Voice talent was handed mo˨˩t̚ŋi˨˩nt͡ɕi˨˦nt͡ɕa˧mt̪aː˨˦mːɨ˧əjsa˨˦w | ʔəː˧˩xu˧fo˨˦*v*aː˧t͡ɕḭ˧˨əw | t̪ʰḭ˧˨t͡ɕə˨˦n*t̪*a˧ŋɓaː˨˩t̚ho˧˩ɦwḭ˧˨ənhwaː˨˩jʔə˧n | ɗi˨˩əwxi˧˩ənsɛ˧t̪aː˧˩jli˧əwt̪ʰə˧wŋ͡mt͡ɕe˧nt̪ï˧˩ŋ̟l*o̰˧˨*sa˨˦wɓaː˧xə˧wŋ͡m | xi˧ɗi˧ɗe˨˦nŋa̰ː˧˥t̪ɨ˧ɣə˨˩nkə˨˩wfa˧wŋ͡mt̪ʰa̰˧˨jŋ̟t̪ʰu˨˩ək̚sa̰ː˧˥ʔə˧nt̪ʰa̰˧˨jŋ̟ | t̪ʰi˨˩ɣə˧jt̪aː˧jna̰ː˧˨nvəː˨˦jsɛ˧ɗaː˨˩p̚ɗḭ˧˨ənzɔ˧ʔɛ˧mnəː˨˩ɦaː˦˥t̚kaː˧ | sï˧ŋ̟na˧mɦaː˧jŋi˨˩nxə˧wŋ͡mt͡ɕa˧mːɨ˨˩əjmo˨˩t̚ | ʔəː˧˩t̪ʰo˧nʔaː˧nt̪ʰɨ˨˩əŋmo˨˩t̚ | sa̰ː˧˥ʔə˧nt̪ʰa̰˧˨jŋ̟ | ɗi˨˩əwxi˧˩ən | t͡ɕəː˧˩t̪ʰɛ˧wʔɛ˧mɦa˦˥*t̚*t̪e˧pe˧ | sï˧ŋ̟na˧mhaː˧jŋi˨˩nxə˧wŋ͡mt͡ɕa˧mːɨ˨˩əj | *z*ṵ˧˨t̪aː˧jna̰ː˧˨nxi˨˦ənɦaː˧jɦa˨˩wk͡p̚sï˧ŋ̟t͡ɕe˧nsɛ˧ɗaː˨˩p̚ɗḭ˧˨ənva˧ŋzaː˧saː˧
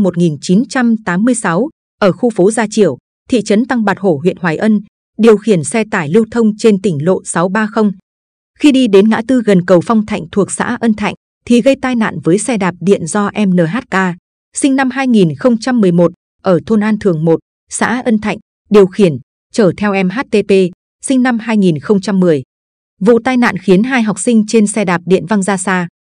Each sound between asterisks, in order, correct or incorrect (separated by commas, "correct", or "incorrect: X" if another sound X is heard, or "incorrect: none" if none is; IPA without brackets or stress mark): incorrect: z, correct, correct, correct, incorrect: v